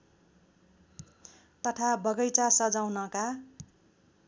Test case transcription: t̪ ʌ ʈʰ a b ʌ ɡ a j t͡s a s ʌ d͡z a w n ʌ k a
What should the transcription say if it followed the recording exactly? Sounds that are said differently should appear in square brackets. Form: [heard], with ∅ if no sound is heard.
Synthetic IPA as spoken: t̪ ʌ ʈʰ a b ʌ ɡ [ʌ] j t͡s a s ʌ d͡z a w n ʌ k a